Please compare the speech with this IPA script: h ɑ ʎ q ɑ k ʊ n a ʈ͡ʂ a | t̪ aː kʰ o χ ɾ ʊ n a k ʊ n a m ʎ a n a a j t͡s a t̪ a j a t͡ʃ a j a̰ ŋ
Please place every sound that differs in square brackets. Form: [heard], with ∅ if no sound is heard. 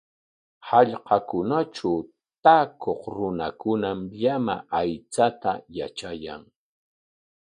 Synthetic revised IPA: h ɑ ʎ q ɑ k ʊ n a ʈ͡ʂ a | t̪ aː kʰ o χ ɾ ʊ n a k ʊ n a m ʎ a [m] a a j t͡s a t̪ a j a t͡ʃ a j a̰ ŋ